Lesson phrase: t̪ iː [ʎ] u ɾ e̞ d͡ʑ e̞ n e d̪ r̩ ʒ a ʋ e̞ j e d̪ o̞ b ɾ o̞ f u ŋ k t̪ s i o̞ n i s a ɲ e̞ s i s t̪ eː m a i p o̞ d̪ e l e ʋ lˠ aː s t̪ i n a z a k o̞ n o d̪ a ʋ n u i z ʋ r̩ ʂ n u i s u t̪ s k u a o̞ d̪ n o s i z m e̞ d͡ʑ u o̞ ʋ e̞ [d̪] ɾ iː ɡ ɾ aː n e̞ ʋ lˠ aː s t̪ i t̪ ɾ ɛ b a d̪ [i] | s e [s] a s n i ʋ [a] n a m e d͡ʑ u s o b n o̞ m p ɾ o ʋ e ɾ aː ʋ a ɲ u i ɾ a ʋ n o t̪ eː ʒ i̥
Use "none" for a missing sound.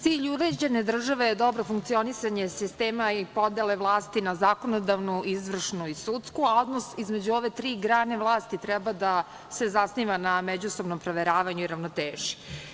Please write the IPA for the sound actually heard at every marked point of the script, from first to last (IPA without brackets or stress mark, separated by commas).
ʎ, t̪, a, z, a